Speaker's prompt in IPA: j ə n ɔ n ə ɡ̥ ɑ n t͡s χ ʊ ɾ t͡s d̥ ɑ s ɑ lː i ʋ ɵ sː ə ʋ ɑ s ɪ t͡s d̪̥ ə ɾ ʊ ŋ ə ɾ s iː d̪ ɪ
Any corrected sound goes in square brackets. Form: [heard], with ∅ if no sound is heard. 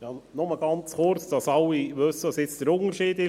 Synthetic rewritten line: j [ɑ] n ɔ [m] ə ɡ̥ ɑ n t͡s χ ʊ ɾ t͡s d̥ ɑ s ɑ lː i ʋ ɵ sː ə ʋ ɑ s ɪ t͡s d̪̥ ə ɾ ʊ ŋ ə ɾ [ʃ] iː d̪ ɪ